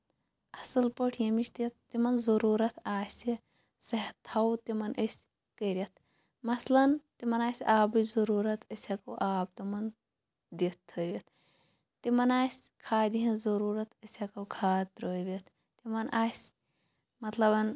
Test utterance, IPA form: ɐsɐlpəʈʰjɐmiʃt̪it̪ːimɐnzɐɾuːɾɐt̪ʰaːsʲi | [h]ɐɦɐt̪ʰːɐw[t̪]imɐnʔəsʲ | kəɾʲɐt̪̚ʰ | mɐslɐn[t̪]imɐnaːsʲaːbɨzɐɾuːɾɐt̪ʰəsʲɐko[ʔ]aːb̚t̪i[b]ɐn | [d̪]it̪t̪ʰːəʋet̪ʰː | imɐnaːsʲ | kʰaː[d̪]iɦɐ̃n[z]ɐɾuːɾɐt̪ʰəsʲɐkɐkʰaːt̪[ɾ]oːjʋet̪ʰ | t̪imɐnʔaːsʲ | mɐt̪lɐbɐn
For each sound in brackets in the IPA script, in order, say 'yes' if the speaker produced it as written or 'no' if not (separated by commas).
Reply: no, yes, yes, yes, no, yes, yes, yes, yes